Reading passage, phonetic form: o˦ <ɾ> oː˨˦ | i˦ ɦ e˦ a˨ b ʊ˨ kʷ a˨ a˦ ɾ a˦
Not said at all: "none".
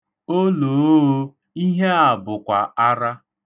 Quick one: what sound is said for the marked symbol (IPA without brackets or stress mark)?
l